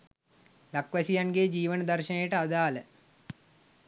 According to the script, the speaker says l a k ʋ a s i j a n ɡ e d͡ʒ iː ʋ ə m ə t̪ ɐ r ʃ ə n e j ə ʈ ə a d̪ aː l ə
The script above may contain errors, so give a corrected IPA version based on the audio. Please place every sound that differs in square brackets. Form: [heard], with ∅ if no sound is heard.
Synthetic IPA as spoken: l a k ʋ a s i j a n ɡ e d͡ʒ iː ʋ ə [n] ə [d̪] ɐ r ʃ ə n e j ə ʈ ə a d̪ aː l ə